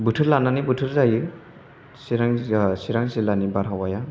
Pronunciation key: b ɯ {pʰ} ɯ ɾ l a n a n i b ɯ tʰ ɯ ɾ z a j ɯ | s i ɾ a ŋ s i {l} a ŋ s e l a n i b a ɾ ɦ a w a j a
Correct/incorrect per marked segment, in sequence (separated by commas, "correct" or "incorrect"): incorrect, incorrect